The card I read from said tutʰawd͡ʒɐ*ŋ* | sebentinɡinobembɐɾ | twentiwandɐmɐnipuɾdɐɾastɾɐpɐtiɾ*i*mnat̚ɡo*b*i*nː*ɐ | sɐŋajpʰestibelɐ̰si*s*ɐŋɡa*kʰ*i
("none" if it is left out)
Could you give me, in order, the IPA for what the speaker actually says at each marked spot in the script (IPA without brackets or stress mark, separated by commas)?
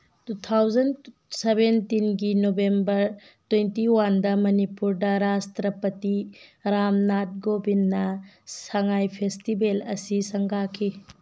n, a, b, nː, s, kʰ